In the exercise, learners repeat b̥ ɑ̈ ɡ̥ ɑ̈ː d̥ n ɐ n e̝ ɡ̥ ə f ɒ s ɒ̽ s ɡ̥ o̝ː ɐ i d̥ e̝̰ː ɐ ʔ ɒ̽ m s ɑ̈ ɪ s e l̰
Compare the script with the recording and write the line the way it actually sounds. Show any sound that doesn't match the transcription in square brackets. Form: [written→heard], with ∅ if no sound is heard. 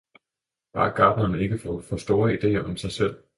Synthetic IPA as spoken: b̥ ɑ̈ ɡ̥ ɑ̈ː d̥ n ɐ n e̝ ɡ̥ ə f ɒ [s→f] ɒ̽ s [ɡ̥→d̥] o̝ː ɐ i d̥ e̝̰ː ɐ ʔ ɒ̽ m s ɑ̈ ɪ s e l̰